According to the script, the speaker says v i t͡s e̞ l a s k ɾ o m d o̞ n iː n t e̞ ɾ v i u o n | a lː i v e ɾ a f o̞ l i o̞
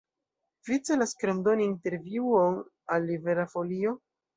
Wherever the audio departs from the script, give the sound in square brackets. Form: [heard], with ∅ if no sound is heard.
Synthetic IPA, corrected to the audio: v i t͡s e̞ l a s k ɾ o m d o̞ n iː n t e̞ ɾ v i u o n | a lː i v e ɾ a f o̞ l i o̞